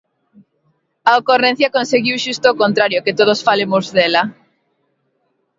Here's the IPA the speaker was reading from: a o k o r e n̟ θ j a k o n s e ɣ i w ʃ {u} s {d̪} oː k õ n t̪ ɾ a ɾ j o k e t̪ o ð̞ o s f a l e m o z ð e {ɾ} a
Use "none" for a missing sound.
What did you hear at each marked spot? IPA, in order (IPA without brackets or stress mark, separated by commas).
u, t̪, l